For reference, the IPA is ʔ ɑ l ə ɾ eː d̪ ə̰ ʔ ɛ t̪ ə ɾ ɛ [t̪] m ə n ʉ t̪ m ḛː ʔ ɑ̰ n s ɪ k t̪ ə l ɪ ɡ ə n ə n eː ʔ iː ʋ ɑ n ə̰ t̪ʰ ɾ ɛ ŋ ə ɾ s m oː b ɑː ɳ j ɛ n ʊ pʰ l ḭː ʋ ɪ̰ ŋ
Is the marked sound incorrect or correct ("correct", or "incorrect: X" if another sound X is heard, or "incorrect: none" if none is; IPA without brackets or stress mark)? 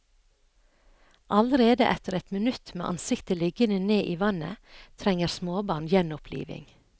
correct